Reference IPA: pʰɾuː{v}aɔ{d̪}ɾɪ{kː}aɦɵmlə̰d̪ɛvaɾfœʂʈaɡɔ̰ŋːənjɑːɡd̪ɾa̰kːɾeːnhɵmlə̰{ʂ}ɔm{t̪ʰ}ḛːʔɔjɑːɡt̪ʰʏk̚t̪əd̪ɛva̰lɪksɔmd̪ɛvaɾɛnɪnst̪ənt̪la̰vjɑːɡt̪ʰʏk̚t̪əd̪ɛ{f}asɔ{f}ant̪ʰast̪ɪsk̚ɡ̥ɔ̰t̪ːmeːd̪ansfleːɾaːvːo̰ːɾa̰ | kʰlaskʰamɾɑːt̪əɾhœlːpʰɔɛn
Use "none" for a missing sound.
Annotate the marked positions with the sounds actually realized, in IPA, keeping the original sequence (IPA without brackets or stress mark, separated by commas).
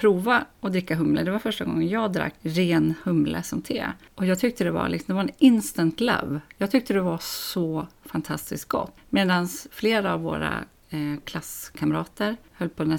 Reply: v, d̪, kː, s, t̪ʰ, v, f